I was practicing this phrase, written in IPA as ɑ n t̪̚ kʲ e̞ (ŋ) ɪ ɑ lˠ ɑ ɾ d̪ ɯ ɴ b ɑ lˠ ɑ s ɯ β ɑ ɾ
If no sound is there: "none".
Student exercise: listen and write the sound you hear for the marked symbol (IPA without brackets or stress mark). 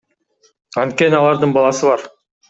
n